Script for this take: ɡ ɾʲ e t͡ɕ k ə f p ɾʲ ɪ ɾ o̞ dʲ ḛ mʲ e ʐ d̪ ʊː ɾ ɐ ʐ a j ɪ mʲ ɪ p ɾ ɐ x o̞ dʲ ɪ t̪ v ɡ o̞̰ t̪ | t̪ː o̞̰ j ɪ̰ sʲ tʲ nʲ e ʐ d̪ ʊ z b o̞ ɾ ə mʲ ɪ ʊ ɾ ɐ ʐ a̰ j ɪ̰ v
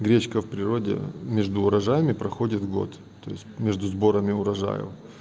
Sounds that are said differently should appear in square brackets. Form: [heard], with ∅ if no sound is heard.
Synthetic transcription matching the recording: ɡ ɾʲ e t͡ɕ k ə f p ɾʲ ɪ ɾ o̞ dʲ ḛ mʲ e ʐ d̪ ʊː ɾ ɐ ʐ a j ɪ mʲ ɪ p ɾ ɐ x o̞ dʲ ɪ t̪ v ɡ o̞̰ t̪ | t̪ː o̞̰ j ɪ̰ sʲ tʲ [mʲ] e ʐ d̪ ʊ z b o̞ ɾ ə mʲ ɪ ʊ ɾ ɐ ʐ a̰ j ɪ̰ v